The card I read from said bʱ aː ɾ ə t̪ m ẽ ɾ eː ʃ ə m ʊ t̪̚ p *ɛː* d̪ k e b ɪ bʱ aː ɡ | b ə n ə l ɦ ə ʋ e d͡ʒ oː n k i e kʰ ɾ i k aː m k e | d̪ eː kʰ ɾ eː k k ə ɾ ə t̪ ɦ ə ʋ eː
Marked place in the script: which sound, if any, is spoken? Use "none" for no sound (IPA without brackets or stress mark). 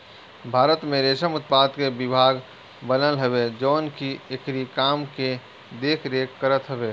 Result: aː